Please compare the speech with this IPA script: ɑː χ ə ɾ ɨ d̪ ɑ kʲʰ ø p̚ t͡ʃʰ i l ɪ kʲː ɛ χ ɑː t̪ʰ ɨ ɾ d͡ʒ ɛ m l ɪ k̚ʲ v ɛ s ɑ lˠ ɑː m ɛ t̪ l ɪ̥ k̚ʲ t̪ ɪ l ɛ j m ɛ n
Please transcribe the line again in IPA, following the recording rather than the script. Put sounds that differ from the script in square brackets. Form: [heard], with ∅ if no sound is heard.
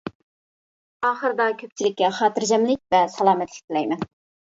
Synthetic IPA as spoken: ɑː χ ə ɾ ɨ d̪ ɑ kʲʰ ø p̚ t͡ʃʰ i l ɪ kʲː ɛ χ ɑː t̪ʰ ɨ ɾ d͡ʒ ɛ m l ɪ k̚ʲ v ɛ s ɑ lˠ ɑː m ɛ t̪ l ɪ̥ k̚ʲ t̪ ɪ l ɛ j m ɛ n